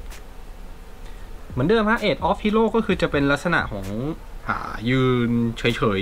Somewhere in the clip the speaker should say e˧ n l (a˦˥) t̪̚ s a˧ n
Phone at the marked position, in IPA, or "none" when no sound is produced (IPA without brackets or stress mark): a˦˥